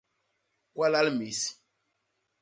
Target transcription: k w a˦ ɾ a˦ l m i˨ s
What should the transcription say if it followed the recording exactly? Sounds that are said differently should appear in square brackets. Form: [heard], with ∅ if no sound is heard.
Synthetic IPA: k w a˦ [l] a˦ l m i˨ s

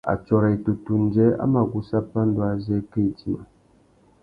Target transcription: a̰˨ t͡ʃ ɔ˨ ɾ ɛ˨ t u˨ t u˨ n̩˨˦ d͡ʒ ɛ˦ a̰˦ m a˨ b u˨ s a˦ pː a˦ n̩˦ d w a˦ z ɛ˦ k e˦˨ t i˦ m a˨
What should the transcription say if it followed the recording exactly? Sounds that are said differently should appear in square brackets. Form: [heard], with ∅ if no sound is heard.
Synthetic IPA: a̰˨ t͡ʃ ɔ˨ ɾ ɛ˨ t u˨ t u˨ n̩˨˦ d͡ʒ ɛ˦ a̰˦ m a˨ [ɡ] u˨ s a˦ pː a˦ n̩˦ d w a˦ z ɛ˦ k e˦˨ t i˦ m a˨

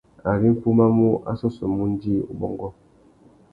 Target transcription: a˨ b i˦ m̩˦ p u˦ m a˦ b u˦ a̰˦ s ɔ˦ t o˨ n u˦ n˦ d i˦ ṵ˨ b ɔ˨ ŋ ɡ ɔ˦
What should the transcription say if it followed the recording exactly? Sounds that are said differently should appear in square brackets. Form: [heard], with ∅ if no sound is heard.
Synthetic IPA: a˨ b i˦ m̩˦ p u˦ m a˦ [m] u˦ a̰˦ s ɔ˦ [s] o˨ [m] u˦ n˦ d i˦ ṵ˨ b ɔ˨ ŋ ɡ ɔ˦

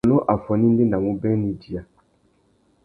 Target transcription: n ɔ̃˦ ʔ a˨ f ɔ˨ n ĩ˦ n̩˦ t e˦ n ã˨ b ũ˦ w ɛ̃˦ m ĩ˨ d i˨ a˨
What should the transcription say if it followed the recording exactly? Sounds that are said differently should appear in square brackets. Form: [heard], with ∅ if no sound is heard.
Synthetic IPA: n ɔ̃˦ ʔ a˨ f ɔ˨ n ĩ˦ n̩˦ [d] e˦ n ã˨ [m] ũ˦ [b] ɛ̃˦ [n] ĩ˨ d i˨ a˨

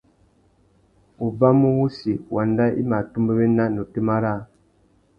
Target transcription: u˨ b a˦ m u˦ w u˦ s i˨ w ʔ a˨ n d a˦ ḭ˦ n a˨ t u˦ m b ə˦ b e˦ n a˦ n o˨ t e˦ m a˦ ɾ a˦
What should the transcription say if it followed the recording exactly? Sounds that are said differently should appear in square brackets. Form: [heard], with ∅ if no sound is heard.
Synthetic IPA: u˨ b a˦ m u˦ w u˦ s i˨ w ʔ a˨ n d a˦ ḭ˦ [m] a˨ t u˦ m b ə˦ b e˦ n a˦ n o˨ t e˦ m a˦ ɾ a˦

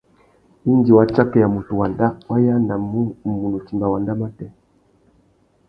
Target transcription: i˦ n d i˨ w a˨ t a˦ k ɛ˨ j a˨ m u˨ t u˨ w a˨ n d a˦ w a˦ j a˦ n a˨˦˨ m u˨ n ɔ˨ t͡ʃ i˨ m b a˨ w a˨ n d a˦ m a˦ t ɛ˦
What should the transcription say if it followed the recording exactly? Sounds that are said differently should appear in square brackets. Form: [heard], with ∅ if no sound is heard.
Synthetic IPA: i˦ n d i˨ w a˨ [t͡ʃ] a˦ k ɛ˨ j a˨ m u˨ t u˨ w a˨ n d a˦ w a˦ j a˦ n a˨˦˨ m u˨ n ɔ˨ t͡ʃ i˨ m b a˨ w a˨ n d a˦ m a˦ t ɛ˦

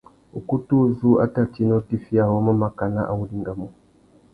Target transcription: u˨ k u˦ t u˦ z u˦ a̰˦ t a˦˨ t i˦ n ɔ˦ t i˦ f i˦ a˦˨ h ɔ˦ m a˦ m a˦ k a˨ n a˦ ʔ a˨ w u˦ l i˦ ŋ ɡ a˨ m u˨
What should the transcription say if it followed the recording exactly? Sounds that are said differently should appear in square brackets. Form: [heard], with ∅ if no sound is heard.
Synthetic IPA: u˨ k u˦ t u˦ z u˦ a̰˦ t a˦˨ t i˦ n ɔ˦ t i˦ f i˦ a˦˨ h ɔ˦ m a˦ m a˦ k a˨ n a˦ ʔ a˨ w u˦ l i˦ ŋ ɡ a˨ m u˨

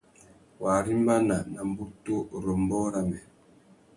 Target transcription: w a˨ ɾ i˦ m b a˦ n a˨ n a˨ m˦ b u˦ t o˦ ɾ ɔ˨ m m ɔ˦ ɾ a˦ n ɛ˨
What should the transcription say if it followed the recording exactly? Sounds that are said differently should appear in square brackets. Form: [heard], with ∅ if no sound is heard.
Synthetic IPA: w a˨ ɾ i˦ m b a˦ n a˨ n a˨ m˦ b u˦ t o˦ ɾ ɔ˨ m [b] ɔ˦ ɾ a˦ [m] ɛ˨

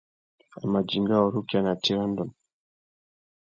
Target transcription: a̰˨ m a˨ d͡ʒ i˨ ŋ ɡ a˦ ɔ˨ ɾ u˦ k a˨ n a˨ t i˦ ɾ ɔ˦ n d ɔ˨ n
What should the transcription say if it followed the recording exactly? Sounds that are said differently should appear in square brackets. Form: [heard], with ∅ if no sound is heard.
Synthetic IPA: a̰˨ m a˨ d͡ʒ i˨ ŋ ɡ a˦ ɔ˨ ɾ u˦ k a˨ n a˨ t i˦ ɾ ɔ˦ n d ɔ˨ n

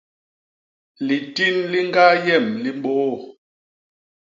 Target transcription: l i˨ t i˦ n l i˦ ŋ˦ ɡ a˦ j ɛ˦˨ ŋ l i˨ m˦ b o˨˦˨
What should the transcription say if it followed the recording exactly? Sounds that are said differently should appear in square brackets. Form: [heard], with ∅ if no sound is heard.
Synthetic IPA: l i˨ t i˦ n l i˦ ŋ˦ ɡ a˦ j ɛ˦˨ [m] l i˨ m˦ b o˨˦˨

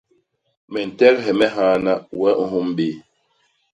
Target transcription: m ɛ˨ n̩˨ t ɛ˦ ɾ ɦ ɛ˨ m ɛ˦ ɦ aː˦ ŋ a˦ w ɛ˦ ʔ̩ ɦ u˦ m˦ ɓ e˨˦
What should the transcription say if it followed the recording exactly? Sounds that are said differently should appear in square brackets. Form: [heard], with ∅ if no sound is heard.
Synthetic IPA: m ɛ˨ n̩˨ t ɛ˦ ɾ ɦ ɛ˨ m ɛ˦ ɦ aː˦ [n] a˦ w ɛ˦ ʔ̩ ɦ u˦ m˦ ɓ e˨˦

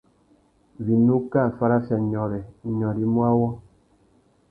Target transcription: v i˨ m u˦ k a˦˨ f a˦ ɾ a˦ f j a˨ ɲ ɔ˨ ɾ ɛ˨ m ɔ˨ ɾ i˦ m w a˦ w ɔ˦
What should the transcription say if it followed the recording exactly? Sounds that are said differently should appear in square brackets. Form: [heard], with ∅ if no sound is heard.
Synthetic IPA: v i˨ [n] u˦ k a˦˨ f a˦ ɾ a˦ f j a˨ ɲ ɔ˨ ɾ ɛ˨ [ɲ] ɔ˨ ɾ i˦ m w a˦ w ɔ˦

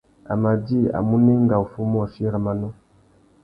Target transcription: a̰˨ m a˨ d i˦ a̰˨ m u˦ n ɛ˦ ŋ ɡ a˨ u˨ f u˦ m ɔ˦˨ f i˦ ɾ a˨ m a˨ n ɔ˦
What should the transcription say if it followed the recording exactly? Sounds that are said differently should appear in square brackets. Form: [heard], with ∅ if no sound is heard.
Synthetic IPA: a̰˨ m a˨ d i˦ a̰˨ m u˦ n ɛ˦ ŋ ɡ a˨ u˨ f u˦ m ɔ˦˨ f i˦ ɾ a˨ m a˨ n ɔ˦

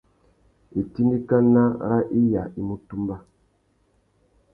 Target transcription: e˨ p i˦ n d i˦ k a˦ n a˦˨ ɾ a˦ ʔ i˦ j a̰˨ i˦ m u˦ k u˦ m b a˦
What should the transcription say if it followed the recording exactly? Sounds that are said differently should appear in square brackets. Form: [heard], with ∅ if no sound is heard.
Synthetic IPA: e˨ [t] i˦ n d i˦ k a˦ n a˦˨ ɾ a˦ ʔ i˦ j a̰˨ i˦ m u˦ [t] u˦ m b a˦

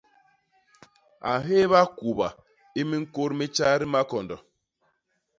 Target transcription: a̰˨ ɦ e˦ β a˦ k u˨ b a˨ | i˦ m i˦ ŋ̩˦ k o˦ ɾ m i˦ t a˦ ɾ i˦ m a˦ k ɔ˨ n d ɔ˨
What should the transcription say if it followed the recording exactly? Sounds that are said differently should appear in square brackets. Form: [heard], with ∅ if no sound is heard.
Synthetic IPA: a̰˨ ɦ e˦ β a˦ k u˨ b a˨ | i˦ m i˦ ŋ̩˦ k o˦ ɾ m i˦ [t͡ʃ] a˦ ɾ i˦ m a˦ k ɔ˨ n d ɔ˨

